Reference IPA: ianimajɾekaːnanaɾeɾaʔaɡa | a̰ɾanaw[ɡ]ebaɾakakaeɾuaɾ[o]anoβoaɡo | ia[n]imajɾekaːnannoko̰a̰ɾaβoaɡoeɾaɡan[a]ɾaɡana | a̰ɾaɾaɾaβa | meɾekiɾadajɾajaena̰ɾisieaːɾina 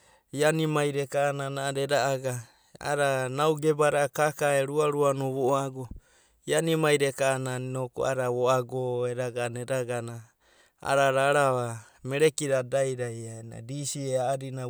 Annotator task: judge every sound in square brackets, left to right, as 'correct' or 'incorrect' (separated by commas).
correct, incorrect, correct, incorrect